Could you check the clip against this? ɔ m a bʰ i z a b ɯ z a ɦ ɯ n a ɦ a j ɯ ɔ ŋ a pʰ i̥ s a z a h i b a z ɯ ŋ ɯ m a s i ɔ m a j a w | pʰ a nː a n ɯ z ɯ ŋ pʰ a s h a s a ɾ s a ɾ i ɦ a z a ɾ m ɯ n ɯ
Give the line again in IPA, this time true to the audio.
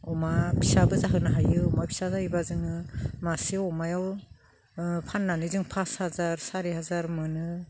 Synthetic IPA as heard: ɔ m a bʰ i s a b ɯ z a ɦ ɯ n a ɦ a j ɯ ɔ m a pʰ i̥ s a z a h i b a z ɯ ŋ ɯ m a s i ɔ m a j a w | pʰ a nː a n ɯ z ɯ ŋ pʰ a s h a z a ɾ s a ɾ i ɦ a z a ɾ m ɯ n ɯ

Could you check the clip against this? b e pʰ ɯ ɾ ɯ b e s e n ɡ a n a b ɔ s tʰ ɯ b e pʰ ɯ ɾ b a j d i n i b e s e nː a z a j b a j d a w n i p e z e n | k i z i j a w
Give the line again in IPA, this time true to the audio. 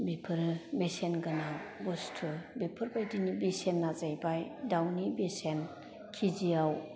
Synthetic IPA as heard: b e pʰ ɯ ɾ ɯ b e s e n ɡ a n a b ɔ s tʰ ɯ b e pʰ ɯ ɾ b a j d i n i b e s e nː a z a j b a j d a w n i b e s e n | kʰ i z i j a w

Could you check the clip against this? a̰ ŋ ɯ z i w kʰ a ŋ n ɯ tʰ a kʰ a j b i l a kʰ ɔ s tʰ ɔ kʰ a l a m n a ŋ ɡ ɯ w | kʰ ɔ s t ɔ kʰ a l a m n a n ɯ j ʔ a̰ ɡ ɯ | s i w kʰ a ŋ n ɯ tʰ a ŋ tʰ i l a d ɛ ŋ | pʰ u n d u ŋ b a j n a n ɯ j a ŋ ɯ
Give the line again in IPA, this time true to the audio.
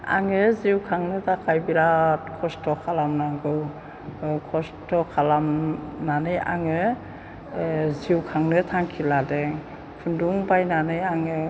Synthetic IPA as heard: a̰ ŋ ɯ z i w kʰ a ŋ n ɯ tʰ a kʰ a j b i ɾ a kʰ ɔ s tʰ ɔ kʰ a l a m n a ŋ ɡ ɯ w | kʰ ɔ s t ɔ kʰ a l a m n a n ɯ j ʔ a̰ ŋ ɯ | z i w kʰ a ŋ n ɯ tʰ a ŋ kʰ i l a d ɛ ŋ | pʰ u n d u ŋ b a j n a n ɯ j a ŋ ɯ

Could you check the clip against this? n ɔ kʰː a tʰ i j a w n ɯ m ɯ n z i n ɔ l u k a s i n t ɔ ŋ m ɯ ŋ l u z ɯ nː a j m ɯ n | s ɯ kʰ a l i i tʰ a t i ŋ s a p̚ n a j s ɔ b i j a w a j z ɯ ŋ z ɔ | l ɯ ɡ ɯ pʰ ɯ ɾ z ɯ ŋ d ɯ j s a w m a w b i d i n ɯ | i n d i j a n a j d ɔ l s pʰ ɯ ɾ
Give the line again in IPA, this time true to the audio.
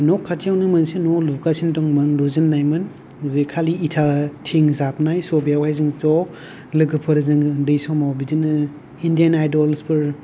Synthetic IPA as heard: n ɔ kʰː a tʰ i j a w n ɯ m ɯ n s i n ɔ l u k a s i n t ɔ ŋ m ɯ ŋ l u z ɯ nː a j m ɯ n | z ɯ kʰ a l i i tʰ a tʰ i ŋ z a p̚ n a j s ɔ b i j a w a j z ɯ ŋ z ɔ | l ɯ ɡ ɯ pʰ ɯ ɾ z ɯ ŋ d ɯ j s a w m a w b i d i n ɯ | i n d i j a n a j d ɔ l s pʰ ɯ ɾ

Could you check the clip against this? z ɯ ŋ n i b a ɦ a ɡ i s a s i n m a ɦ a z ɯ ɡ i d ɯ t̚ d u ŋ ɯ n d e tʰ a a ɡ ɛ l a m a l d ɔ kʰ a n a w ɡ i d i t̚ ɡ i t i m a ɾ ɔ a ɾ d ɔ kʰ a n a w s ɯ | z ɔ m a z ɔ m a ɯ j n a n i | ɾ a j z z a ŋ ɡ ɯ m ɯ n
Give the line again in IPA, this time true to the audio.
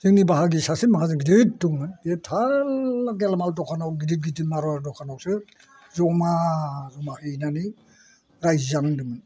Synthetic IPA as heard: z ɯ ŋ n i b a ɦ a ɡ i s a s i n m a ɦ a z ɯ ɡ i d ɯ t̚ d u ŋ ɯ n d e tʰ a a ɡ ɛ l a m a l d ɔ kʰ a n a w ɡ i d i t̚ ɡ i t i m a ɾ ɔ a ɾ d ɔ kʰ a n a w s ɯ | z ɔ m a z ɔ m a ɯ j n a n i | ɾ a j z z a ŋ d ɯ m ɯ n

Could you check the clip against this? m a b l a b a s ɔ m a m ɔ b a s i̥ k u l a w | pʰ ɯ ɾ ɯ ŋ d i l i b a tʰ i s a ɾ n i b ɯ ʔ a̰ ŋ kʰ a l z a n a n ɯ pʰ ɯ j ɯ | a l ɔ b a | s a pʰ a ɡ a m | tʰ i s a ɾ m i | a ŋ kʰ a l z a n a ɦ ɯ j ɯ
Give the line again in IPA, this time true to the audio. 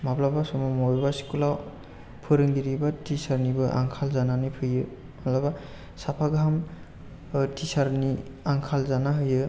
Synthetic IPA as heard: m a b l a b a s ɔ m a m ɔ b a s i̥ k u l a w | pʰ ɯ ɾ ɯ ŋ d i ɾ i b a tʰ i s a ɾ n i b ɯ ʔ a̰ ŋ kʰ a l z a n a n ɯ pʰ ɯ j ɯ | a l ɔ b a | s a pʰ a ɡ a m | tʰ i s a ɾ n i | a ŋ kʰ a l z a n a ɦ ɯ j ɯ

